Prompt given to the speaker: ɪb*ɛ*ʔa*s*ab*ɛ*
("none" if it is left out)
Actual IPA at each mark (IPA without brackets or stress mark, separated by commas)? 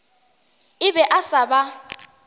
ɛ, s, a